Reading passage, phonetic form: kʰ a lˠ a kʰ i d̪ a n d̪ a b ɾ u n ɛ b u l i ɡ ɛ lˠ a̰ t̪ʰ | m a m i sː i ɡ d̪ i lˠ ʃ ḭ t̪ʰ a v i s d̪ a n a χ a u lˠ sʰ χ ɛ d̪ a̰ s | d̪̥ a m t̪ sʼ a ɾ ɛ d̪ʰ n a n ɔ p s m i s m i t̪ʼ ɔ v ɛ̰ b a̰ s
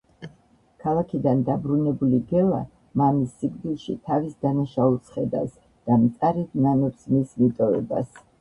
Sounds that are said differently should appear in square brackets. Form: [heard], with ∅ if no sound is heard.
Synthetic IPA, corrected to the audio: kʰ a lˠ a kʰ i d̪ a n d̪ a b ɾ u n ɛ b u l i ɡ ɛ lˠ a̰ [∅] | m a m i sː i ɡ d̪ i lˠ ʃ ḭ t̪ʰ a v i s d̪ a n a [ʃ] a u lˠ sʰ χ ɛ d̪ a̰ s | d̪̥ a m t̪ sʼ a ɾ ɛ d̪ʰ n a n ɔ p s m i s m i t̪ʼ ɔ v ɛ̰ b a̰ s